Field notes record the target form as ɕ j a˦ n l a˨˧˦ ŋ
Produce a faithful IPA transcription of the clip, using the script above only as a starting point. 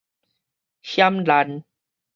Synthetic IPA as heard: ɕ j a˦ m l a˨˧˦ n